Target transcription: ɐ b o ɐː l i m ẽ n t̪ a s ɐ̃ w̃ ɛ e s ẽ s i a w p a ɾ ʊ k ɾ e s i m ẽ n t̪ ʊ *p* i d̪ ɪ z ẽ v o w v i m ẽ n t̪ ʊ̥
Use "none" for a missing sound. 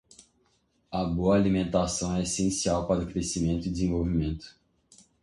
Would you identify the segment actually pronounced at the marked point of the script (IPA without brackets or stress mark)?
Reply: none